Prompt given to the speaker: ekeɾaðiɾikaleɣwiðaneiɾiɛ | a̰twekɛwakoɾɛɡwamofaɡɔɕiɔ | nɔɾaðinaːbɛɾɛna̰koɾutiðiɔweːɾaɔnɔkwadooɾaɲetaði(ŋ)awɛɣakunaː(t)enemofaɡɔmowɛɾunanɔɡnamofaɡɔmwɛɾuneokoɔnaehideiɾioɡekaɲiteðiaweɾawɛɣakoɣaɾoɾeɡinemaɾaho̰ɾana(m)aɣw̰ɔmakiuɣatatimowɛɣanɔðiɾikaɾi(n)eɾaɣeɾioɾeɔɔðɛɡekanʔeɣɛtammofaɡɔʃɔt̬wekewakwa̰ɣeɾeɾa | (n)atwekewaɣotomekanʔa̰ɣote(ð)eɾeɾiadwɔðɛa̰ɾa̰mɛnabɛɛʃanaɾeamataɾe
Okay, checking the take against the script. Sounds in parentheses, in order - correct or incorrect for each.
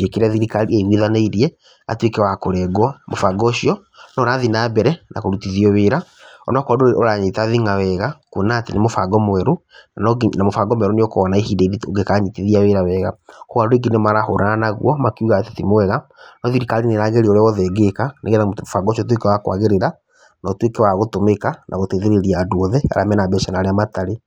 correct, correct, incorrect, correct, correct, correct

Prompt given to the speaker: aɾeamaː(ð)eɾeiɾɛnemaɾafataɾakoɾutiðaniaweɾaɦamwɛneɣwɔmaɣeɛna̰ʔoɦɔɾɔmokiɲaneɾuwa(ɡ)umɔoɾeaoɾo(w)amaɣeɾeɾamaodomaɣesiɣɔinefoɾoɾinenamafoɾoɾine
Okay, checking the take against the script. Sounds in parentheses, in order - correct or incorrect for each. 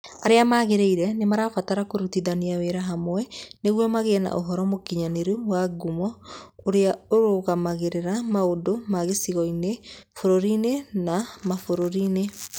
incorrect, correct, incorrect

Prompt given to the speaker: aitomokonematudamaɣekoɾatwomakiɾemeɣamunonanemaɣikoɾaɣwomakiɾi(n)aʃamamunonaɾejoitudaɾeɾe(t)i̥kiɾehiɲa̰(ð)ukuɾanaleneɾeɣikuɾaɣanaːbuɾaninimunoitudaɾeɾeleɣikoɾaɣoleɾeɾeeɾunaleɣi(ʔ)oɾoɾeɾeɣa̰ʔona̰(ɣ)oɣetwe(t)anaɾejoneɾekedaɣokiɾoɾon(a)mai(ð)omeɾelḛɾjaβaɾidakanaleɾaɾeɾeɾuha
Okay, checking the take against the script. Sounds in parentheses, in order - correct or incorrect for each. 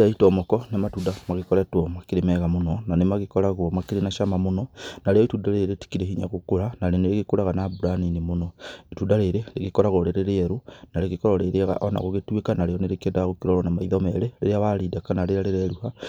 correct, correct, incorrect, incorrect, correct, incorrect, correct, correct

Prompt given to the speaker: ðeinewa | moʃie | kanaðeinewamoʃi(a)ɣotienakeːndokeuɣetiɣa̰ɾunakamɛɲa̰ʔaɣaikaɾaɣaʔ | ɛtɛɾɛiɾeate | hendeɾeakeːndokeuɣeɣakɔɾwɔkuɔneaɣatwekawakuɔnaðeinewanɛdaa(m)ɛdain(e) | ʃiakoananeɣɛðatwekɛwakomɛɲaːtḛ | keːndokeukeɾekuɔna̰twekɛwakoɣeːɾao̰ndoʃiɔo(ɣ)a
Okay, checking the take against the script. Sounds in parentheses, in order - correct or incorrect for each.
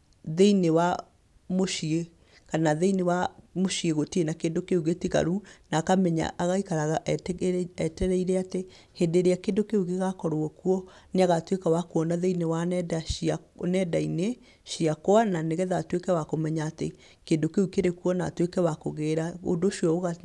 incorrect, incorrect, correct, correct

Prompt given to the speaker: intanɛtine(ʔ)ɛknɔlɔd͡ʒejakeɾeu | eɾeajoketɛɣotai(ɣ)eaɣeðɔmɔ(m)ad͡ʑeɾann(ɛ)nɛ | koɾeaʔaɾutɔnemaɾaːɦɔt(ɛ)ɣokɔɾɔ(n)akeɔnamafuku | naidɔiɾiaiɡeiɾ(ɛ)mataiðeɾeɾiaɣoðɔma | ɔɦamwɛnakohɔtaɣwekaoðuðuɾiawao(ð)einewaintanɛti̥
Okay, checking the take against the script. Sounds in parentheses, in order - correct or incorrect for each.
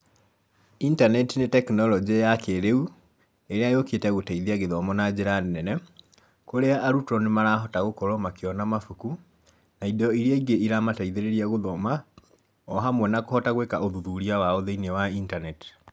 incorrect, incorrect, incorrect, correct, incorrect, incorrect, incorrect, correct

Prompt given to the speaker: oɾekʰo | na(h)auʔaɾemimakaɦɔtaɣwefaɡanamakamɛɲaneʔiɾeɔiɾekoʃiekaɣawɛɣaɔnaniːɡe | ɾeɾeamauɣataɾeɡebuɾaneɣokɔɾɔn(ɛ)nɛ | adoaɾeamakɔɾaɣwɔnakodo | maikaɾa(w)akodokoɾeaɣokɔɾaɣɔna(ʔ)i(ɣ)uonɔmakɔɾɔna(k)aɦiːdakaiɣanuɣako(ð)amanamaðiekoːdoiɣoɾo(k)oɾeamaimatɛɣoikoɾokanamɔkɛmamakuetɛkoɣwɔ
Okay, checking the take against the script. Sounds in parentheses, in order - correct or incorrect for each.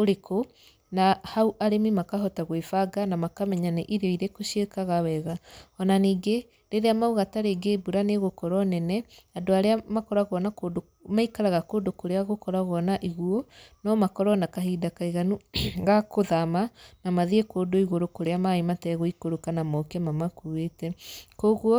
correct, correct, incorrect, correct, correct, correct, correct, correct

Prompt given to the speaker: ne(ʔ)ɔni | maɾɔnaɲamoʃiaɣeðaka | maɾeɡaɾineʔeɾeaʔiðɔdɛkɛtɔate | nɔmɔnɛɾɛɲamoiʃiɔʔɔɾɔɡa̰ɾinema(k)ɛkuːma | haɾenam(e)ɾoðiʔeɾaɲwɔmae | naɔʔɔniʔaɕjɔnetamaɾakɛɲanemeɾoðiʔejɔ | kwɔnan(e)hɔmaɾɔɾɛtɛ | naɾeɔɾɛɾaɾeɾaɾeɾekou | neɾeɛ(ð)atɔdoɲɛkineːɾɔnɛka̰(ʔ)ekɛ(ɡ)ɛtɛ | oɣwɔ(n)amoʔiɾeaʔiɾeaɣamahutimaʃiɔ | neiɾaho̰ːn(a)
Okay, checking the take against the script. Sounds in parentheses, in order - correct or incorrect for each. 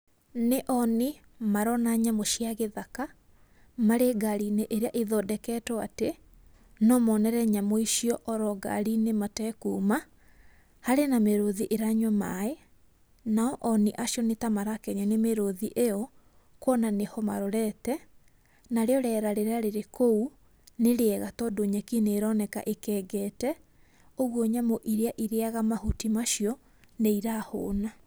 correct, incorrect, correct, correct, incorrect, correct, correct, incorrect, correct

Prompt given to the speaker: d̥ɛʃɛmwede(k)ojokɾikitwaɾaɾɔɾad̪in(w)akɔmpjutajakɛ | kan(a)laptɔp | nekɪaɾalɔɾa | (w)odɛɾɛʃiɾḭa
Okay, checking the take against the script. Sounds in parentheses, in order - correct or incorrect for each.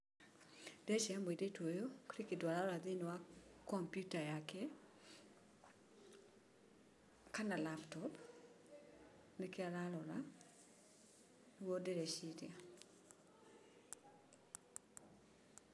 incorrect, correct, correct, correct

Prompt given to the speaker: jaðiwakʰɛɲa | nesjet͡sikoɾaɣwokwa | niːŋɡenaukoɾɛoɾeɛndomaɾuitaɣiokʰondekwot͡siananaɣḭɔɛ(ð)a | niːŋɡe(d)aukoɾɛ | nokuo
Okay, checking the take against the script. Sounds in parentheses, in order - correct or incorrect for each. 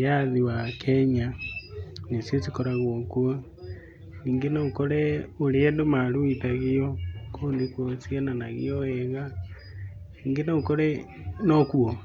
incorrect, incorrect

